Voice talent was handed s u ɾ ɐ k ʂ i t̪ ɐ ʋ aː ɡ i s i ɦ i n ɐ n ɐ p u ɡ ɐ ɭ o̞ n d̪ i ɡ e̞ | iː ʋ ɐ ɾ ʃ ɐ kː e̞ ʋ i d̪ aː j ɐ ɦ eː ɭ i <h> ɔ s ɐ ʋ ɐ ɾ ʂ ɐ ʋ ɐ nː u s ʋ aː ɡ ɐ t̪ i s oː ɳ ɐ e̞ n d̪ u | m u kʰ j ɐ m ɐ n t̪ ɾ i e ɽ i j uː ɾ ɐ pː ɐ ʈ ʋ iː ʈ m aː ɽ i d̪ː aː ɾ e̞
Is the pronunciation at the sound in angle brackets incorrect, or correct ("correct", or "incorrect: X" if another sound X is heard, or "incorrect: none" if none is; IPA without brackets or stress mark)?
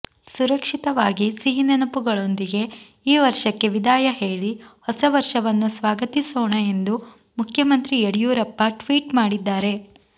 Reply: correct